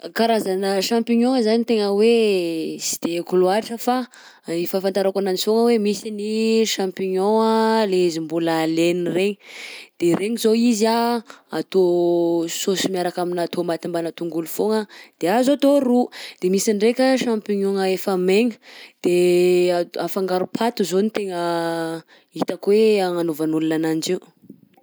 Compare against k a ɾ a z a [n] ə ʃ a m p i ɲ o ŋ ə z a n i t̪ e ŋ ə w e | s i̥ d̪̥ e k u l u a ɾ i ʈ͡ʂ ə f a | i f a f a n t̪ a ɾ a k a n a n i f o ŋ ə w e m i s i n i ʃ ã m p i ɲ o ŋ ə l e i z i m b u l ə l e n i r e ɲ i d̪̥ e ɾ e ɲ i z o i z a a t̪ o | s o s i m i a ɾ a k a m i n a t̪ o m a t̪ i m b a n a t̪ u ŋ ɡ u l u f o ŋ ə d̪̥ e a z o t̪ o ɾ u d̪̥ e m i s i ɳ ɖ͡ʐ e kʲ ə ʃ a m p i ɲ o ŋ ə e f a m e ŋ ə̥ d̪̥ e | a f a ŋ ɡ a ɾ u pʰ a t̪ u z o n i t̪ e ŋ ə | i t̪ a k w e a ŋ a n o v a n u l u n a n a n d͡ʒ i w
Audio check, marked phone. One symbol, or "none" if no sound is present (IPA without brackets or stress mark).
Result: n